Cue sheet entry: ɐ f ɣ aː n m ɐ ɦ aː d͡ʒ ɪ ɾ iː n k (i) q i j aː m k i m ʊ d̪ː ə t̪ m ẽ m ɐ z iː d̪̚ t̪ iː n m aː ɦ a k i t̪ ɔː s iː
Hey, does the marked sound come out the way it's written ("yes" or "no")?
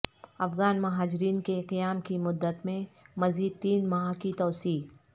no